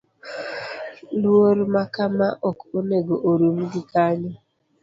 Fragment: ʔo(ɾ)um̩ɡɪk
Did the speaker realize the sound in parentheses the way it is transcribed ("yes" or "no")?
yes